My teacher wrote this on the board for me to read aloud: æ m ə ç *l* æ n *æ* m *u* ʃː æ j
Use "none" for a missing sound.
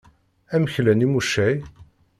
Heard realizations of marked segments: l, i, u

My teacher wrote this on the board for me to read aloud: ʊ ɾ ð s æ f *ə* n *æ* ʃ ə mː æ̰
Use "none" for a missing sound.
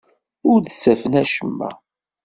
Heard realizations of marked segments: ə, æ

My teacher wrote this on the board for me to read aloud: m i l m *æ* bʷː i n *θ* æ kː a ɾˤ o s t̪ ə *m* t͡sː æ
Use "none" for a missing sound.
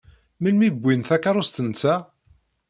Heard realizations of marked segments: i, θ, n

